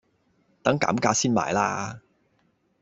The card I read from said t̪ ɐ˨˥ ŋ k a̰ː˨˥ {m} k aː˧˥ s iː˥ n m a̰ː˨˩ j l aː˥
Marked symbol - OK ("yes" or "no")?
yes